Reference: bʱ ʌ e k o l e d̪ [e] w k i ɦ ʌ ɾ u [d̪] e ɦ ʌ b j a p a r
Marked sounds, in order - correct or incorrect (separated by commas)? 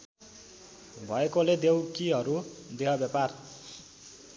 correct, correct